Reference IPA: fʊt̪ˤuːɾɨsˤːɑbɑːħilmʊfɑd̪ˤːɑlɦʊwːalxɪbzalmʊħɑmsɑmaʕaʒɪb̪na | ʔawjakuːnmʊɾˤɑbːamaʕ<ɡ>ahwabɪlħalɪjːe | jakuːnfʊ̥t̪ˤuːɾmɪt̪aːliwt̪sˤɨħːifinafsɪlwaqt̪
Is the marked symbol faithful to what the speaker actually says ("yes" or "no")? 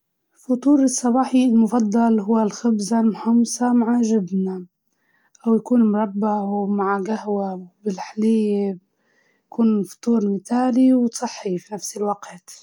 yes